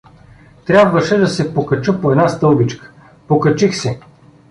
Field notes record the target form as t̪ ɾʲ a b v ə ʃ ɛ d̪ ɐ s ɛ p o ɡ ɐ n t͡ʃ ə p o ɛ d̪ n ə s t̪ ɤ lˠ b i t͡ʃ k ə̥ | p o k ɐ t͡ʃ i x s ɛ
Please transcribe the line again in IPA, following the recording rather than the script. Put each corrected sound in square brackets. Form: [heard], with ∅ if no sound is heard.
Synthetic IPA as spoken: t̪ ɾʲ a b v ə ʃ ɛ d̪ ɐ s ɛ p o [k] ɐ [∅] t͡ʃ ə p o ɛ d̪ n [a] s t̪ ɤ lˠ b i t͡ʃ k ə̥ | p o k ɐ t͡ʃ i x s ɛ